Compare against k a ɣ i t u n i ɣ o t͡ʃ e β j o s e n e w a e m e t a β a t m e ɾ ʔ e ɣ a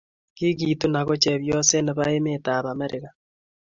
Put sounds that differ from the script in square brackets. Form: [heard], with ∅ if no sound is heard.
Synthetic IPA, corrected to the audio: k [i] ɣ i t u n [a] ɣ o t͡ʃ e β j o s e n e [β] a e m e t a β a [∅] m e ɾ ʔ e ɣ a